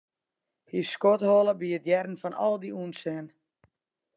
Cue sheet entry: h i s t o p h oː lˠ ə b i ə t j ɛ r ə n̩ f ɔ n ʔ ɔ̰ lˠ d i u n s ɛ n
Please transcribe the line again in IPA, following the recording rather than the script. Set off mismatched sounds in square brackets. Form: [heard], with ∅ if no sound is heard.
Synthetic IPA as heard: h i s [k] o [t] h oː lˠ ə b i ə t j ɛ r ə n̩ f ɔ n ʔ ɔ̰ lˠ d i u n s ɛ n